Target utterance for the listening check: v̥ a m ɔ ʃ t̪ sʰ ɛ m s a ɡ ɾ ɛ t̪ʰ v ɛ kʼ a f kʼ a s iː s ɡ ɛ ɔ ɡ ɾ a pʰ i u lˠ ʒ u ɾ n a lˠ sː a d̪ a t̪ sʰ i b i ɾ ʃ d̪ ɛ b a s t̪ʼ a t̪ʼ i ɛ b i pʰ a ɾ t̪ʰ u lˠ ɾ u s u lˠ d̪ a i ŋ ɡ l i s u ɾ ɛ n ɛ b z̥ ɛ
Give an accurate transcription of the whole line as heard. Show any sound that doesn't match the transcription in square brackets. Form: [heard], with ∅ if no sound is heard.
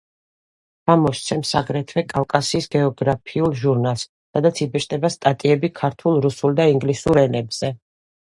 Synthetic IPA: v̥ a m ɔ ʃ t̪ sʰ ɛ m s a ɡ ɾ ɛ t̪ʰ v ɛ kʼ a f kʼ a s iː s ɡ ɛ ɔ ɡ ɾ a pʰ i u lˠ ʒ u ɾ n a lˠ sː a d̪ a t̪ sʰ i b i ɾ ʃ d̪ ɛ b a s t̪ʼ a t̪ʼ i ɛ b i [kʰ] a ɾ t̪ʰ u lˠ ɾ u s u lˠ d̪ a i ŋ ɡ l i s u ɾ ɛ n ɛ b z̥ ɛ